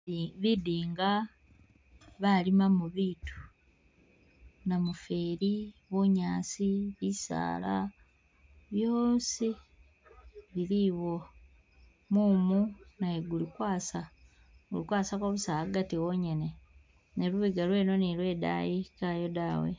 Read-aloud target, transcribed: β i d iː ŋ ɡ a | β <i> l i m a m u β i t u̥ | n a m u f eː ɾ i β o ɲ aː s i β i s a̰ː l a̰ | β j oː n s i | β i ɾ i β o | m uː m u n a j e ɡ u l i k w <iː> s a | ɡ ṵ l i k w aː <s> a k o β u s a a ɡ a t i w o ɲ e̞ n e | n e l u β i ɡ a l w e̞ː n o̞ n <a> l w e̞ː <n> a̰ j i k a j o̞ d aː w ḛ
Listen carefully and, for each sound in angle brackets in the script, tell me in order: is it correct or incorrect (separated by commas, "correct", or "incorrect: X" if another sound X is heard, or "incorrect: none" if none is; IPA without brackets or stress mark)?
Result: incorrect: a, incorrect: aː, correct, incorrect: i, incorrect: d